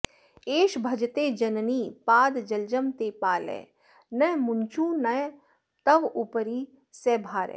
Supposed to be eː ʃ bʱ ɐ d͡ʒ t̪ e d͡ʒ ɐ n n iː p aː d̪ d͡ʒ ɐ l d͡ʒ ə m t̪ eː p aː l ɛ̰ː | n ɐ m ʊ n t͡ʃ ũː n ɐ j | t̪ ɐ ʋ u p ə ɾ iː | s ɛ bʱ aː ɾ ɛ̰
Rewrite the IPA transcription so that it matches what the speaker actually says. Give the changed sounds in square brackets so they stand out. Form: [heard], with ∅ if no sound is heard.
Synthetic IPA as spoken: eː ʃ bʱ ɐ d͡ʒ t̪ e d͡ʒ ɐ n n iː p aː d̪ d͡ʒ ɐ l d͡ʒ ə m t̪ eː p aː l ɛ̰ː | n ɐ m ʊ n t͡ʃ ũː n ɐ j | t̪ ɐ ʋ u p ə ɾ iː | s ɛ bʱ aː ɾ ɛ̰